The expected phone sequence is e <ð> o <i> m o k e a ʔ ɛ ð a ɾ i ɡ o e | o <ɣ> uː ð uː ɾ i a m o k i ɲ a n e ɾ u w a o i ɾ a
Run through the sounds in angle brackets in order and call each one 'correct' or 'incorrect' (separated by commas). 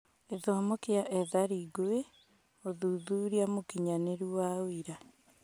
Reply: correct, incorrect, incorrect